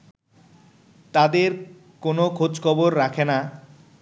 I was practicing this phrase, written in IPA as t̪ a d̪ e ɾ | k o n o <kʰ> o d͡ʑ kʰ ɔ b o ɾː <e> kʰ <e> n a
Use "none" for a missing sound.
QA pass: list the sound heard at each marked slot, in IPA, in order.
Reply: kʰ, a, e

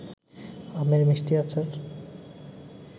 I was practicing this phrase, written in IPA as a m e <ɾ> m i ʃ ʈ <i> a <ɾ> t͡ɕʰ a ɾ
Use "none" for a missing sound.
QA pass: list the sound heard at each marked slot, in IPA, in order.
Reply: ɾ, i, none

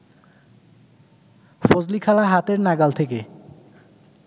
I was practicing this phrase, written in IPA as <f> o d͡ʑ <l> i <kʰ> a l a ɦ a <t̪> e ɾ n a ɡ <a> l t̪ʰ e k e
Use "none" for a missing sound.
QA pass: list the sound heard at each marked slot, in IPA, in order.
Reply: f, l, kʰ, t̪, a

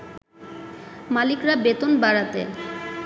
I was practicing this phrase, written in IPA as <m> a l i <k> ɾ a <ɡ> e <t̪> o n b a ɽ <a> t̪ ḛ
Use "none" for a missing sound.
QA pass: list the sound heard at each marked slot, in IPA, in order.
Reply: m, k, b, t̪, a

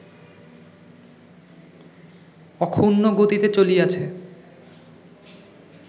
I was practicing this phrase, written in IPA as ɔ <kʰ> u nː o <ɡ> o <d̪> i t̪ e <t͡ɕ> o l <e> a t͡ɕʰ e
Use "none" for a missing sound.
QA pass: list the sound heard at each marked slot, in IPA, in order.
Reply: kʰ, ɡ, t̪, t͡ɕ, i

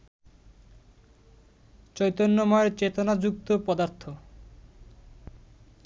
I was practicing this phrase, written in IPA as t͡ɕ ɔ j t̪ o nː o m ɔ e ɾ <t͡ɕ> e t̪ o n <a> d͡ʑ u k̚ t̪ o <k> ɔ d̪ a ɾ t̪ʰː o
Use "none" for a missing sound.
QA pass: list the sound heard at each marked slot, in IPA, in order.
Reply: t͡ɕ, a, p

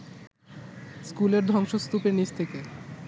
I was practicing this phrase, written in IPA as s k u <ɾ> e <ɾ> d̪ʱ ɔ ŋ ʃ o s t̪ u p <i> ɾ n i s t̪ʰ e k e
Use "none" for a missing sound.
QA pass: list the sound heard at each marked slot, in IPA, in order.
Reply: l, ɾ, e

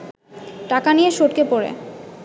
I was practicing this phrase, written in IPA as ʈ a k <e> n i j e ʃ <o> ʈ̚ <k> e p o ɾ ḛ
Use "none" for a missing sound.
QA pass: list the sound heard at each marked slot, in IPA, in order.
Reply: a, o, k

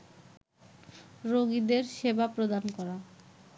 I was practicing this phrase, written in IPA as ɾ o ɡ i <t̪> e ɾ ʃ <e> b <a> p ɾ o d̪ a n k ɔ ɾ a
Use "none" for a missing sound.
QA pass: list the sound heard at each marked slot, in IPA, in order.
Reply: d̪, e, a

